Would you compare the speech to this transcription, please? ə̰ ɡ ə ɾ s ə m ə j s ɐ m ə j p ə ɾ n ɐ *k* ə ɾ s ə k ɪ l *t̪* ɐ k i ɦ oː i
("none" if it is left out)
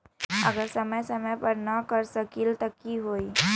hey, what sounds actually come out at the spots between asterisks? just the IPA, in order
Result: k, t̪

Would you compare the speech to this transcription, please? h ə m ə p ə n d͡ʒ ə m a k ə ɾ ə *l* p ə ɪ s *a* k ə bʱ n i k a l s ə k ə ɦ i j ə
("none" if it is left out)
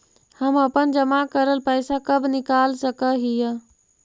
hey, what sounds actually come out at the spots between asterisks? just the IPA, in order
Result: l, a

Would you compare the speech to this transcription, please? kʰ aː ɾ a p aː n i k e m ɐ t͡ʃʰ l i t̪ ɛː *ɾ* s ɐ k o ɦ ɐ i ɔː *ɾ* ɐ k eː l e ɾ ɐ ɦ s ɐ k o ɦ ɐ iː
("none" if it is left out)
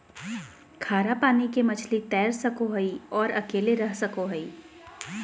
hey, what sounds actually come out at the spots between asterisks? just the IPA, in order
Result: ɾ, ɾ

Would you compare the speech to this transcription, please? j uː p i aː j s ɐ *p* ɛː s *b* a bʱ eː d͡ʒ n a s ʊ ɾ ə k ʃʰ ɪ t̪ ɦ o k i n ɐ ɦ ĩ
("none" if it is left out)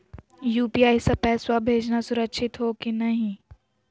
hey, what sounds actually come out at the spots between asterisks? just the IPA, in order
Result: p, w

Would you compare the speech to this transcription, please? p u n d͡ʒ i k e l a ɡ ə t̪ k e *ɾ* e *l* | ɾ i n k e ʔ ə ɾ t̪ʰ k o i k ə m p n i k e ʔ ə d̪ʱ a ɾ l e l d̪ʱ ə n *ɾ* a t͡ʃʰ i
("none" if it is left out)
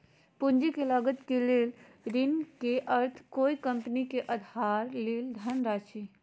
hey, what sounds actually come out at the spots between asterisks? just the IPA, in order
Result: l, l, ɾ

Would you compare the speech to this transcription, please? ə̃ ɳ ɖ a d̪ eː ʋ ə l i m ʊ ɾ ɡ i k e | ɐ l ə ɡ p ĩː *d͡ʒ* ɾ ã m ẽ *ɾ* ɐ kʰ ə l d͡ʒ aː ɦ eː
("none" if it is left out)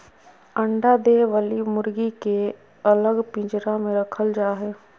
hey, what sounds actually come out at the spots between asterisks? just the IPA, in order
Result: d͡ʒ, ɾ

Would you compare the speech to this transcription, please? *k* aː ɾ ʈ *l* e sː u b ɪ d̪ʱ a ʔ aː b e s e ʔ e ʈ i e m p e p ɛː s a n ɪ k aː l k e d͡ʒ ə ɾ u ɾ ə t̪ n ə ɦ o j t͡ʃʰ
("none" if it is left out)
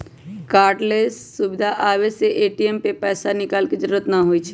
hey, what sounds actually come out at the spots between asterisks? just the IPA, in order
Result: k, l

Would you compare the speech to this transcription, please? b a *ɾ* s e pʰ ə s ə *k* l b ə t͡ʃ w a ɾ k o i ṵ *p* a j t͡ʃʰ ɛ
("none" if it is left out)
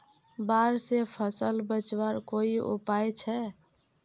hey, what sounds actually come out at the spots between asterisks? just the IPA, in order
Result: ɾ, none, p

